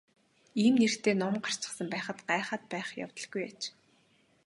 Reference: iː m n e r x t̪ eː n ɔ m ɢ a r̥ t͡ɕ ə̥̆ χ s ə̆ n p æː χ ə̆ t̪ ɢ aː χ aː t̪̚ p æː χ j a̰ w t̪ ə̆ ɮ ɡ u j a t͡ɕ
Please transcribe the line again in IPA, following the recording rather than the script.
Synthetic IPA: iː m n e r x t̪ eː n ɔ m ɢ a r̥ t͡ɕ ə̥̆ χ s ə̆ m p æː χ ə̆ t̪ ɢ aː χ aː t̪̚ p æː χ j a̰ w t̪ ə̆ ɮ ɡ u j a t͡ɕ